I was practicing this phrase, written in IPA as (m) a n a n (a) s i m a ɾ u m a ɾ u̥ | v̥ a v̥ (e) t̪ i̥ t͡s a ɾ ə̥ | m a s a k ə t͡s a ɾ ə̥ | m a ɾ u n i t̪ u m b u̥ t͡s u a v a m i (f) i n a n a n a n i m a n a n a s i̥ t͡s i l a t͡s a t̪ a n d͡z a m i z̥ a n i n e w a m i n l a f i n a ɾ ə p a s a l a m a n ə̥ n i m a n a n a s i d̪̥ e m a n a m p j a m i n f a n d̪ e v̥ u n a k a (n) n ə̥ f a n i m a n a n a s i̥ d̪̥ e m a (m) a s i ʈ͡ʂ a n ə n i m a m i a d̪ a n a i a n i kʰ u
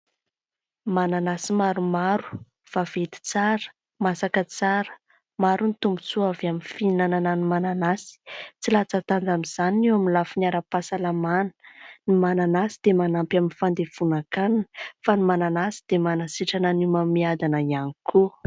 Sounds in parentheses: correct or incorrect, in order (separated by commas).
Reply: correct, correct, correct, correct, correct, incorrect